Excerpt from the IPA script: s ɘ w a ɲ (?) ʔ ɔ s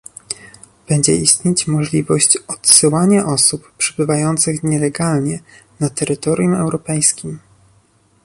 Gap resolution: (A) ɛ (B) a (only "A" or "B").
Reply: B